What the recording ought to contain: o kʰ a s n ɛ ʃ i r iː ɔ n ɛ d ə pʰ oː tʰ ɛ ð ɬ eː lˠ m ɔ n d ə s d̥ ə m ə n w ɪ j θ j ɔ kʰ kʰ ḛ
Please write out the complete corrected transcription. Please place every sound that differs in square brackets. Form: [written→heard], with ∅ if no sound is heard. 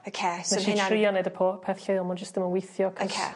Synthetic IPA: o kʰ [a→e] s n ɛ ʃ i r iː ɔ n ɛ d ə pʰ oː [tʰ→pʰ] ɛ [ð→θ] ɬ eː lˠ m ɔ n [d→d͡ʒ] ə s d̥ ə m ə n w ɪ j θ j ɔ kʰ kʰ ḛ